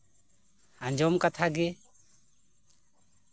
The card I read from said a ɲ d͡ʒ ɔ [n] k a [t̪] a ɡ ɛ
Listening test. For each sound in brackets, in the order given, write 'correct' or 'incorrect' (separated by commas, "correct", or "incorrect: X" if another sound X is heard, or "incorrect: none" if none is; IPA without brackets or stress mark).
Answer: incorrect: m, incorrect: t̪ʰ